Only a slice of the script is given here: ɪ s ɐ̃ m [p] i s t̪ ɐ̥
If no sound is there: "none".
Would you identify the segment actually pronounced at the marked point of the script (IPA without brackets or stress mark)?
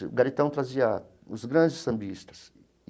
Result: b